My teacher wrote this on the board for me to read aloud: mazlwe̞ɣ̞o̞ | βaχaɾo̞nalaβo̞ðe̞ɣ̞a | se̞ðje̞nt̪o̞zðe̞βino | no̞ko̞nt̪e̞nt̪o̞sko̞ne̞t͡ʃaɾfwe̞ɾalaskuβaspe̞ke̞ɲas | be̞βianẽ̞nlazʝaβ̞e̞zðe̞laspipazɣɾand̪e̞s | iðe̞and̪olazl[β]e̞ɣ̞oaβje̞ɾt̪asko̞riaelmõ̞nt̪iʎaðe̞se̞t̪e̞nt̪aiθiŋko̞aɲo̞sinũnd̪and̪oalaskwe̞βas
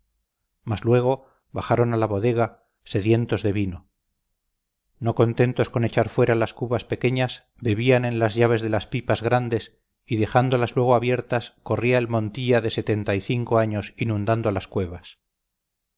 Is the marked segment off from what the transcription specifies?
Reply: yes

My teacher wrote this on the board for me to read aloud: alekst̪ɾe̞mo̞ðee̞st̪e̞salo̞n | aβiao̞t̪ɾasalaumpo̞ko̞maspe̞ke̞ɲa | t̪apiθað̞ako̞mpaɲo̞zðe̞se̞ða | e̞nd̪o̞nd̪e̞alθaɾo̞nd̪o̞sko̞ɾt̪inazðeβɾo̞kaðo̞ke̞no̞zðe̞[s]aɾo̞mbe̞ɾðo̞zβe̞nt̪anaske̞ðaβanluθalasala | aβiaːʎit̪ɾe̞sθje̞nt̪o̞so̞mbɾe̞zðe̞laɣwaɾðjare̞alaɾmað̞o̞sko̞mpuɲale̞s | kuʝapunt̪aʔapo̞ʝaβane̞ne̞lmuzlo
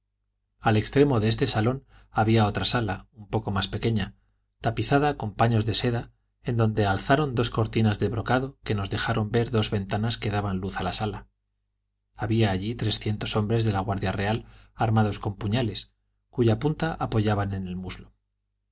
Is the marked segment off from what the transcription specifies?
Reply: yes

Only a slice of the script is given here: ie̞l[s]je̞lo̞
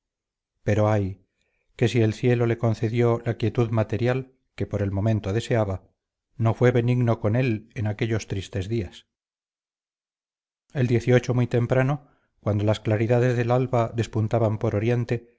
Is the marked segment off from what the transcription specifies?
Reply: yes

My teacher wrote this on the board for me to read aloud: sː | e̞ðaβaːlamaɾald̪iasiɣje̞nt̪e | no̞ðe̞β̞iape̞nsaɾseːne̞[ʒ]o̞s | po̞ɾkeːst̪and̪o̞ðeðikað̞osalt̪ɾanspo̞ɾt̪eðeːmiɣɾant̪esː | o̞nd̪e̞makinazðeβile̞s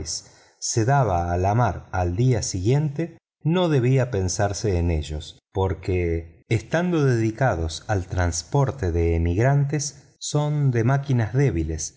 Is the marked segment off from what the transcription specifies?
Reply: no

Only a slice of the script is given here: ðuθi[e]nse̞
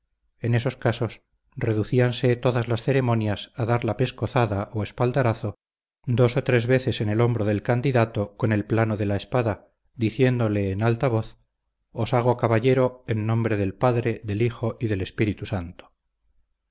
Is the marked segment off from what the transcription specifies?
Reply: yes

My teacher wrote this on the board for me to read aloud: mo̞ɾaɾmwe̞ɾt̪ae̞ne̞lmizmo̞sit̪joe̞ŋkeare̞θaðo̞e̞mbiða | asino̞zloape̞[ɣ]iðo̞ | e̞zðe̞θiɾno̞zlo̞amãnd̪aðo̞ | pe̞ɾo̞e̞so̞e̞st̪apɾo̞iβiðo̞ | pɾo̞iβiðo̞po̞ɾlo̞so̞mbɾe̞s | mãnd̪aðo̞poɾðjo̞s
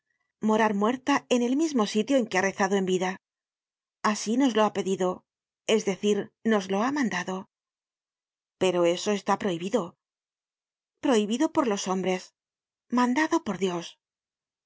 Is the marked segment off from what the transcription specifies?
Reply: yes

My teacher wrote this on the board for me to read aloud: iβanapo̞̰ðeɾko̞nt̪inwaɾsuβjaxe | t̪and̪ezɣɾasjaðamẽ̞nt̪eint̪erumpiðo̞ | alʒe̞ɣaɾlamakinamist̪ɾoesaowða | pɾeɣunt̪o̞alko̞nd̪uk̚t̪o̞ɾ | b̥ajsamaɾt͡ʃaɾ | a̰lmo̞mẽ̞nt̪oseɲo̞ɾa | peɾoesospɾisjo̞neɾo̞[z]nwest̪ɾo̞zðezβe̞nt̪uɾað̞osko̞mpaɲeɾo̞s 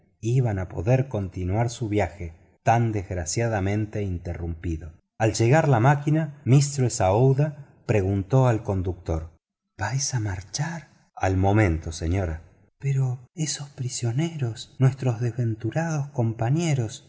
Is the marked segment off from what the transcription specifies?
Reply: yes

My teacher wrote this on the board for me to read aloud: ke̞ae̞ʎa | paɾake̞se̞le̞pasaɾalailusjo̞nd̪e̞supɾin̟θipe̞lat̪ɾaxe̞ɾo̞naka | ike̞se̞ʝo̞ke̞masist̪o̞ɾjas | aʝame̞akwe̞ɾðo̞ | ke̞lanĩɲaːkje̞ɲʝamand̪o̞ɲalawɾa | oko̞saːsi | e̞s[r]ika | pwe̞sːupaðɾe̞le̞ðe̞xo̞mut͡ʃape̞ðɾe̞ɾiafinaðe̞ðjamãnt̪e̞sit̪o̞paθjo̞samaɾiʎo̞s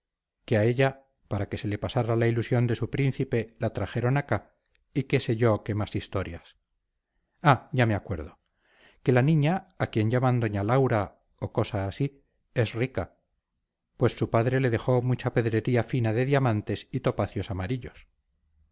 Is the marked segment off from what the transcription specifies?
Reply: no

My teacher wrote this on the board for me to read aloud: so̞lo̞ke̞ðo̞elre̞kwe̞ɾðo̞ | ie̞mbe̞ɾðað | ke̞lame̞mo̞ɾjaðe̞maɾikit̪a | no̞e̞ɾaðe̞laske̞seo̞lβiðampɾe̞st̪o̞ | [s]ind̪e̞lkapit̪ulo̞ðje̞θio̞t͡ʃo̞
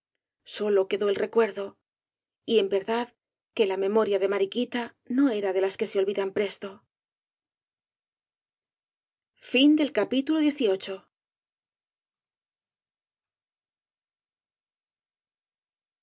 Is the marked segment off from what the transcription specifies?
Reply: yes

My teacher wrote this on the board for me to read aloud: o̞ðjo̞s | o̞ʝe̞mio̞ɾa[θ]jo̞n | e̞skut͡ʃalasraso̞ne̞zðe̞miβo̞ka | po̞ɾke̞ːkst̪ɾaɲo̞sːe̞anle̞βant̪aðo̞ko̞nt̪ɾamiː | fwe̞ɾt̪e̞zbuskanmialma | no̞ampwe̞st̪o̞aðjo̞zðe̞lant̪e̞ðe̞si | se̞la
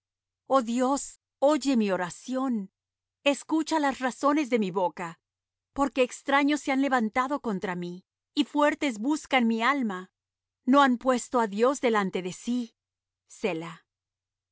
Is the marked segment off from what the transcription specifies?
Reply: yes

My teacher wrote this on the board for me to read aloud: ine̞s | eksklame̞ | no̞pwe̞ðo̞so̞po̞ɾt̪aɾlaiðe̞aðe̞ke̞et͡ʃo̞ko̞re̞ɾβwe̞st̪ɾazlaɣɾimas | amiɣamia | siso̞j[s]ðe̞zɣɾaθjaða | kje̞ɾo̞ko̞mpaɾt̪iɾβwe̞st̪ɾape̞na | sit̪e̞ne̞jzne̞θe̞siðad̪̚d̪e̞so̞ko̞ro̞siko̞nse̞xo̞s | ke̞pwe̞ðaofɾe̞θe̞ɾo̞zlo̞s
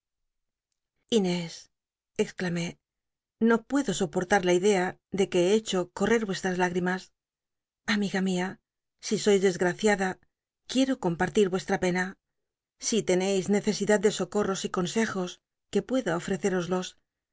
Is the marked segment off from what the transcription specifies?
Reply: yes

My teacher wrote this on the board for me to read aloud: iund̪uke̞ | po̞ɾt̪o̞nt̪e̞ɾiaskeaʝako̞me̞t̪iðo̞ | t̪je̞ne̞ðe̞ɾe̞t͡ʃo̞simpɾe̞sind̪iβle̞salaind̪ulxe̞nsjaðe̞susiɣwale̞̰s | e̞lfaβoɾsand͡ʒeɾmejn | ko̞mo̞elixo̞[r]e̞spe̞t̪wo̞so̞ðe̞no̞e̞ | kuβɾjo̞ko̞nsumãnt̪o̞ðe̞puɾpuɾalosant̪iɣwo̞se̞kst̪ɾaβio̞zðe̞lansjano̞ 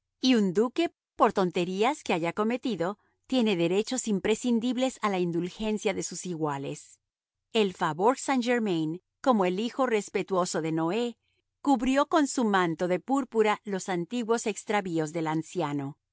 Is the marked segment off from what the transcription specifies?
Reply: no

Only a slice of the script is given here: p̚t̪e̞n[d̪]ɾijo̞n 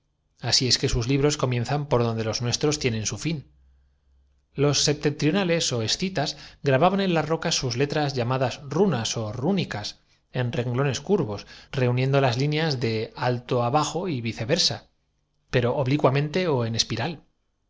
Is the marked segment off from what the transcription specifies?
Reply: yes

